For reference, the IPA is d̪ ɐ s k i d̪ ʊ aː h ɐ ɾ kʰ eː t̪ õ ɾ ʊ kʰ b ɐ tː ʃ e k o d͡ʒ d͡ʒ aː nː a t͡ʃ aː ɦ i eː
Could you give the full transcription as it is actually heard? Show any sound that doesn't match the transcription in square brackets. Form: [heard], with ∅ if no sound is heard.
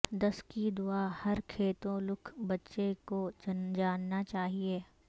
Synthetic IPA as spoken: d̪ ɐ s k i d̪ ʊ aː h ɐ ɾ kʰ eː t̪ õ [l] ʊ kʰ b ɐ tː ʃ e k o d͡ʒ d͡ʒ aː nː a t͡ʃ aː ɦ i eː